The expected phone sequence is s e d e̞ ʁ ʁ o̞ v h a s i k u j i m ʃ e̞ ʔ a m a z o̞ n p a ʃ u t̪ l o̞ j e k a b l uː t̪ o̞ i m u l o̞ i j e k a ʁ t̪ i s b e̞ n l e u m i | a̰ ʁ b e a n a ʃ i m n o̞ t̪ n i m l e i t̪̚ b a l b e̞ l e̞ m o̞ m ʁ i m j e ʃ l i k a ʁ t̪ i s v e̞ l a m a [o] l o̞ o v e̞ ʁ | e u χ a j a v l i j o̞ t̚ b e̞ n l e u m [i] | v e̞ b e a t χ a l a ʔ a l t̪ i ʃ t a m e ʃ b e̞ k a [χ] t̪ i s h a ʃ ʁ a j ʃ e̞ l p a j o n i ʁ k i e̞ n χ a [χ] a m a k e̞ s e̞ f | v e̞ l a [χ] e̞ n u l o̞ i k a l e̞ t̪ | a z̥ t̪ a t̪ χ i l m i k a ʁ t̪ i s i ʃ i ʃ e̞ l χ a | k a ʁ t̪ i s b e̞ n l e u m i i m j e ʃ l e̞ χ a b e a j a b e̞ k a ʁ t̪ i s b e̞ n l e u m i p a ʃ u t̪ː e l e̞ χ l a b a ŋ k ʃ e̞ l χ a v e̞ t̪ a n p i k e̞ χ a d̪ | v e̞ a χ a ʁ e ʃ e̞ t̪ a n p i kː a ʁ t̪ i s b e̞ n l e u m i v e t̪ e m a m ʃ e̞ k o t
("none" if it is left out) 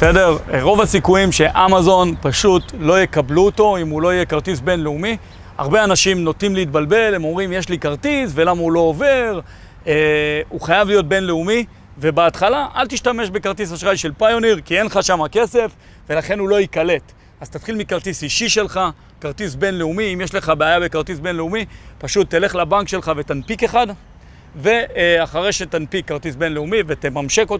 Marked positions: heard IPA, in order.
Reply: u, i, ʁ, ʃ, χ

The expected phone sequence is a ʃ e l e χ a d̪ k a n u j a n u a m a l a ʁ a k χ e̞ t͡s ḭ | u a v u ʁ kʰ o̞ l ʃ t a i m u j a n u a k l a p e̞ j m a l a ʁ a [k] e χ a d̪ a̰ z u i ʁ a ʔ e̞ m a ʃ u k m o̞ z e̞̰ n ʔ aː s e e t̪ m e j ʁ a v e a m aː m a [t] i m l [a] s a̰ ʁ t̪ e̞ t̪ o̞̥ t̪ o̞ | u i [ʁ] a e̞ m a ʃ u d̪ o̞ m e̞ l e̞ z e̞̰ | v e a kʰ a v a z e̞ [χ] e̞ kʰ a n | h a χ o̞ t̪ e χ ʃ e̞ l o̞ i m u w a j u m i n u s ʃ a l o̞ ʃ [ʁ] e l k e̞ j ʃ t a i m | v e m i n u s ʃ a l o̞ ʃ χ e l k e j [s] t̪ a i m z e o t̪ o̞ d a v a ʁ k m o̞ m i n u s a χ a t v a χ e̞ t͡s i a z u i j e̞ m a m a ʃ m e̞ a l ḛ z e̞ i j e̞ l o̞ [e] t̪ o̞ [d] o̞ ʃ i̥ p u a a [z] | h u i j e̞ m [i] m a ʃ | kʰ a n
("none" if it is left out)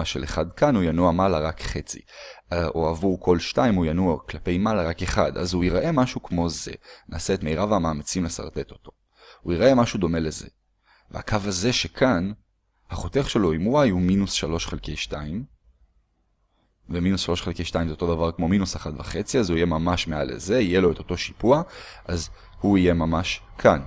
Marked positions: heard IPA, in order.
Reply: k, t͡s, e, ʁ, ʃ, χ, ʃ, e, t, z, a

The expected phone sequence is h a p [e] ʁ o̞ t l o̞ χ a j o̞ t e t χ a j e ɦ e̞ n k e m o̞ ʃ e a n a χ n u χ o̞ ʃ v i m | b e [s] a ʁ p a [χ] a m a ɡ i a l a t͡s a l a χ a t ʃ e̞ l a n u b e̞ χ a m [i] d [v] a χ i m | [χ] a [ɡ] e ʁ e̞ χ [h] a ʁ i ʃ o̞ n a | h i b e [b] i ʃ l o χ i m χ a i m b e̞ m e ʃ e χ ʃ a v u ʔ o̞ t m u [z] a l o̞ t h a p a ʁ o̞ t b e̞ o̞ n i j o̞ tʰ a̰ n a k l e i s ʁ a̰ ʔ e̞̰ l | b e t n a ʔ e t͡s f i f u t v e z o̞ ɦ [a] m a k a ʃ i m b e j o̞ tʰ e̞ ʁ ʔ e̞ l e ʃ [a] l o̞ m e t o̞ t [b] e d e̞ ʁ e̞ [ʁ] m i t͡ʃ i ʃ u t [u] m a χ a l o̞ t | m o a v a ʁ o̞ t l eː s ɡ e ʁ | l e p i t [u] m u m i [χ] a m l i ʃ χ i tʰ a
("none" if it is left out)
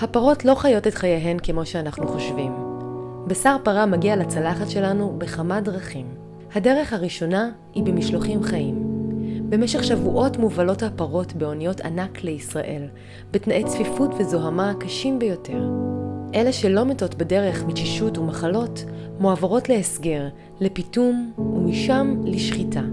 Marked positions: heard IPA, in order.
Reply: a, s, ʁ, a, ʁ, h, d, h, m, v, a, e, b, χ, u, u, ʃ

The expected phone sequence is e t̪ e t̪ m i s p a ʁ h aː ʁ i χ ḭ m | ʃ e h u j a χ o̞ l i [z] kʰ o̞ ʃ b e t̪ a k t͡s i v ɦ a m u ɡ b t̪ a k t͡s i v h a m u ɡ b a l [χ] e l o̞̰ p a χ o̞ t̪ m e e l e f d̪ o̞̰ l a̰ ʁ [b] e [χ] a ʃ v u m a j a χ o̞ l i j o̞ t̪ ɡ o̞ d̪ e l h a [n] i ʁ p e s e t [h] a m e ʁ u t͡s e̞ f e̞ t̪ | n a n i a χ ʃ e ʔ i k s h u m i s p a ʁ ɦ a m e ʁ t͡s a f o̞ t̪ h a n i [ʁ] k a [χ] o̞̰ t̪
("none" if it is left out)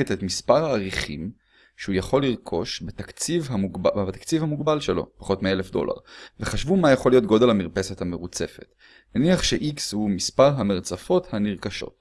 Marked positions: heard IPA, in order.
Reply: ʁ, ʃ, v, χ, m, h, ʁ, ʃ

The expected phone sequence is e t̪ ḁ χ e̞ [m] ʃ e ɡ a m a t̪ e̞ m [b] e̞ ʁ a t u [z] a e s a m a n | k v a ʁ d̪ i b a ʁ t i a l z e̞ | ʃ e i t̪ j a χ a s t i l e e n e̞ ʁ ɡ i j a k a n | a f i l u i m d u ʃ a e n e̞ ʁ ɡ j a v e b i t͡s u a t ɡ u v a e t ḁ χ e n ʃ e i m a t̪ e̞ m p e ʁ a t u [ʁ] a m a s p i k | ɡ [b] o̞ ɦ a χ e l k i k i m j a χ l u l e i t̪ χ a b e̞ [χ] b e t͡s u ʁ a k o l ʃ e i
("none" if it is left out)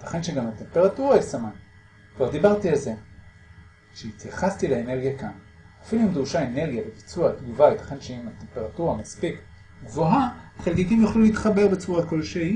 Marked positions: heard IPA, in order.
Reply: n, p, ʁ, ʁ, v, ʁ

